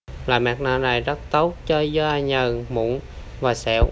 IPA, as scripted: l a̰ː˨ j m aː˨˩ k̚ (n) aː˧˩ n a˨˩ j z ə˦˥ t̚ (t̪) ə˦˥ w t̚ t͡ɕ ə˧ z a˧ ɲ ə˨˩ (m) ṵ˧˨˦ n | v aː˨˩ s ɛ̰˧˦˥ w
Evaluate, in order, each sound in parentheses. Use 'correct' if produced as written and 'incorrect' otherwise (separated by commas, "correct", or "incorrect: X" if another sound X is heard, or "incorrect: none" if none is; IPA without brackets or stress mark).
correct, correct, correct